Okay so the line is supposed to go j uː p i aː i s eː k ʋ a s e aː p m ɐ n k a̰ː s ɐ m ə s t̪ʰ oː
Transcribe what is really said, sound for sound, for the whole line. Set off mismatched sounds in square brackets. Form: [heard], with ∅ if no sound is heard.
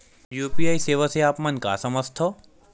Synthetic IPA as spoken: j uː p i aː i s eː [∅] ʋ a s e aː p m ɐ n k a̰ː s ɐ m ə s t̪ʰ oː

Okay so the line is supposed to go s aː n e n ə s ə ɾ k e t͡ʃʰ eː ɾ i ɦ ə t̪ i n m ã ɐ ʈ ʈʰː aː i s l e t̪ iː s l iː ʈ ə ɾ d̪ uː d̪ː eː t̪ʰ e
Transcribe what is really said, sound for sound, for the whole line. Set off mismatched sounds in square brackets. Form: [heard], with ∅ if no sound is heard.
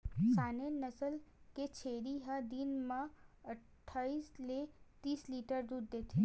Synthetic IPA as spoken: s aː n e n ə s ə [l] k e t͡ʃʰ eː ɾ i ɦ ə [d̪] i n m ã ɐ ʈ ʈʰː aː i s l e t̪ iː s l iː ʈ ə ɾ d̪ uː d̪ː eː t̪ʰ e

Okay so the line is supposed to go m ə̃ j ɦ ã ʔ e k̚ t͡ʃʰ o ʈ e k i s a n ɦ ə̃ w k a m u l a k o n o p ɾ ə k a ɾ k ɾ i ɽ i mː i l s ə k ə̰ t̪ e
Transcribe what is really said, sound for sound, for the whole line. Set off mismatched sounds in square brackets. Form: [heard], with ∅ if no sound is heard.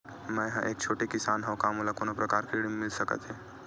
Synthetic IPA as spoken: m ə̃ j ɦ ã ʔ e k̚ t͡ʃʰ o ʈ e k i s a n ɦ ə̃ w k a m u l a k o n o p ɾ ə k a ɾ k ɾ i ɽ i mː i l s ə k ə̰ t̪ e

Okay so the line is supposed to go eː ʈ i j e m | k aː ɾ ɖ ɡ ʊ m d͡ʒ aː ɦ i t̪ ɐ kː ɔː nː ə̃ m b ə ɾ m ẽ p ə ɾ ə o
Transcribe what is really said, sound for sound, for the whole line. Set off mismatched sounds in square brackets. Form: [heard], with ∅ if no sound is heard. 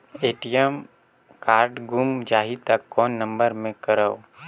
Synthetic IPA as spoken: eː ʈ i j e m | k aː ɾ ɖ ɡ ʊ m d͡ʒ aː ɦ i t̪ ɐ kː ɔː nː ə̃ m b ə ɾ m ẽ [k] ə ɾ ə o

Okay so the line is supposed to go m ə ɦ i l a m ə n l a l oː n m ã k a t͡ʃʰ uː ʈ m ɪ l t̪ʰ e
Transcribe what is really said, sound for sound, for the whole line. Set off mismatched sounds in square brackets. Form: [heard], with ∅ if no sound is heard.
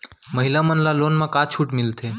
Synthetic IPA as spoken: m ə ɦ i l a m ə n l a l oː n m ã k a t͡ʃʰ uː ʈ m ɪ l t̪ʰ e

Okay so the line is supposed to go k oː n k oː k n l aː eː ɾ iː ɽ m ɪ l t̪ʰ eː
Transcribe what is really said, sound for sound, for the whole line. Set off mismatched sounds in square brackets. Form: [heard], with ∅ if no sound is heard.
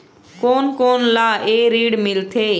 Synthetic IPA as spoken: k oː n k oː [∅] n l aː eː ɾ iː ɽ m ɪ l t̪ʰ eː

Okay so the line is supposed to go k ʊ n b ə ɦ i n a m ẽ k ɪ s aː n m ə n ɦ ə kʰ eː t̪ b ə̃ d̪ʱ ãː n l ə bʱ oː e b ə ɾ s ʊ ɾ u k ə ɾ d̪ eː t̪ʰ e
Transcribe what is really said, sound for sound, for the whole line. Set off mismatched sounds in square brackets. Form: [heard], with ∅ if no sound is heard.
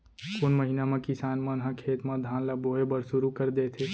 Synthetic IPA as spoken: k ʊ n [m] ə ɦ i n a m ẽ k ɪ s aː n m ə n ɦ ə kʰ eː t̪ [m] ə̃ d̪ʱ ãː n l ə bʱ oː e b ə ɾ s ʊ ɾ u k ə ɾ d̪ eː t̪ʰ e

